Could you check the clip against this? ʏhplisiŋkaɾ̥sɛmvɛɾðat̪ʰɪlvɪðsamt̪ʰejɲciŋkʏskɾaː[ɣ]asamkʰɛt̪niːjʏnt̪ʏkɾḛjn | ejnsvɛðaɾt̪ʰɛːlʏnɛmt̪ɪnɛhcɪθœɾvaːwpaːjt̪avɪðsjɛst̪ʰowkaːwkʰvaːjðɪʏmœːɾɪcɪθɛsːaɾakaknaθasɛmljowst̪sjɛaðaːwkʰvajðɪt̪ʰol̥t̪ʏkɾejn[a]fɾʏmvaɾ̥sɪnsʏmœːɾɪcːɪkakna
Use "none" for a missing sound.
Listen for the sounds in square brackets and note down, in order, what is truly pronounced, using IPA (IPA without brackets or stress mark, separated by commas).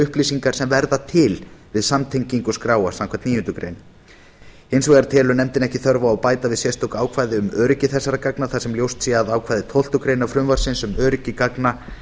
w, a